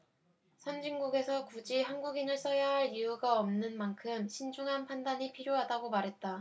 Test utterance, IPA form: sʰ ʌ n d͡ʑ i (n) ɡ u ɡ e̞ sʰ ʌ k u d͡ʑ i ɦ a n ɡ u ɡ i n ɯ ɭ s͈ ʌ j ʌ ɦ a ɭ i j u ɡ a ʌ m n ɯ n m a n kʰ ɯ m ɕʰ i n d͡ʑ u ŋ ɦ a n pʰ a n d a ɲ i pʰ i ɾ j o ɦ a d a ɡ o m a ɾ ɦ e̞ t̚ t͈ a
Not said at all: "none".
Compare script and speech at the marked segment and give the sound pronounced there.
ŋ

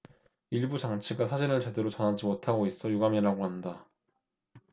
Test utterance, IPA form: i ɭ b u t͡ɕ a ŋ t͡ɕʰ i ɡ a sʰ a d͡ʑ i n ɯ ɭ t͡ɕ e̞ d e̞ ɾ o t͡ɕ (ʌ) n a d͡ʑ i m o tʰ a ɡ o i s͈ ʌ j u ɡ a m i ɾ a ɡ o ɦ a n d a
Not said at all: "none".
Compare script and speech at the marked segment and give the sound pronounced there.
ʌ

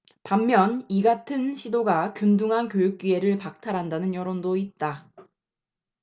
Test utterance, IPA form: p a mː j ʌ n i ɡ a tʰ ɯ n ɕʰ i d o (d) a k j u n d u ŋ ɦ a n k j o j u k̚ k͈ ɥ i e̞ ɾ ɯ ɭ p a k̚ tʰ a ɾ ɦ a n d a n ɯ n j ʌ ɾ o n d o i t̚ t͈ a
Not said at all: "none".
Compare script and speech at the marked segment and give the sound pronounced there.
ɡ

